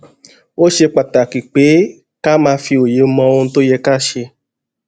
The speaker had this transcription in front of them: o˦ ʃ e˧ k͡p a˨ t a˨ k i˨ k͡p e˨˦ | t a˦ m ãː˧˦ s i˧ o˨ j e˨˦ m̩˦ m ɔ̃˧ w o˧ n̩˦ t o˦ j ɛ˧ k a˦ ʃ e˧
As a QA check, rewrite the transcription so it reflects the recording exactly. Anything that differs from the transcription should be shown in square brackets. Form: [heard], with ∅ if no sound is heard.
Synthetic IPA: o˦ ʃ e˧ k͡p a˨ t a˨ k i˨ k͡p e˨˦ | [k] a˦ m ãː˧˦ [f] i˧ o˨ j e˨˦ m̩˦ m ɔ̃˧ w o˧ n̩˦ t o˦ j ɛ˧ k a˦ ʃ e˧